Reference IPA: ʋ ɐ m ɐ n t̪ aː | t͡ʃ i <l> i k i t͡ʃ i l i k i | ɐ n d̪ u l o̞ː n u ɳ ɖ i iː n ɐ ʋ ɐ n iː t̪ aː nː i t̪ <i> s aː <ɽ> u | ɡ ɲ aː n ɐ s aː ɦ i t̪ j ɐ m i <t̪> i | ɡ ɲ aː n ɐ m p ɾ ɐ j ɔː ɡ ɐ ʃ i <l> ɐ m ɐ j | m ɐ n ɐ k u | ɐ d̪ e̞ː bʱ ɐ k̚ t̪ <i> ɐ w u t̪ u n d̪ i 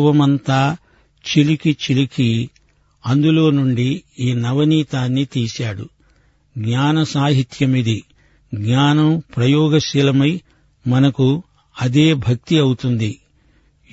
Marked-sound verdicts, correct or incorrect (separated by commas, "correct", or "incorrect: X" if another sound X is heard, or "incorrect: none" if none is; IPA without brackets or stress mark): correct, incorrect: iː, correct, incorrect: d̪, correct, correct